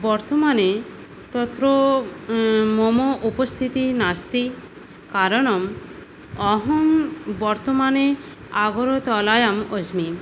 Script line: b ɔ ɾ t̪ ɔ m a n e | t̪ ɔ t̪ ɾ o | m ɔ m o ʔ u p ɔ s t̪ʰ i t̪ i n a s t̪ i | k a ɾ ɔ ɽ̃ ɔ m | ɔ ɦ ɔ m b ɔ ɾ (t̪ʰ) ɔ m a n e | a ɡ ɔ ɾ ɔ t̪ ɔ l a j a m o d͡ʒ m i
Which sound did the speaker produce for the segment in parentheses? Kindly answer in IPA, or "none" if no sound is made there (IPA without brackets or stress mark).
t̪